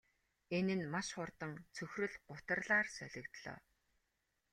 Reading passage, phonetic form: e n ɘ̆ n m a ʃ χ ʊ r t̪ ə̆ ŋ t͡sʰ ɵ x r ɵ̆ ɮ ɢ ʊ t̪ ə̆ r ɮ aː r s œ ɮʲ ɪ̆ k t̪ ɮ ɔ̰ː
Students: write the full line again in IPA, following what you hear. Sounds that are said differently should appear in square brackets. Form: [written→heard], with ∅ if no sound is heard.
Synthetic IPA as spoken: e n ɘ̆ n m a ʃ χ ʊ r t̪ ə̆ ŋ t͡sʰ ɵ x r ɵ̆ ɮ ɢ ʊ t̪ ə̆ r ɮ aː r s œ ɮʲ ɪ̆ k t̪ ɮ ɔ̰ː